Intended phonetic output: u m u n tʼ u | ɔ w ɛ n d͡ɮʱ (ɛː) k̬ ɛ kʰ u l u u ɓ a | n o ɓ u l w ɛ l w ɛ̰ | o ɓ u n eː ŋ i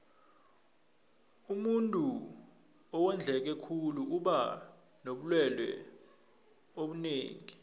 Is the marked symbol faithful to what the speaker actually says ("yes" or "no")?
no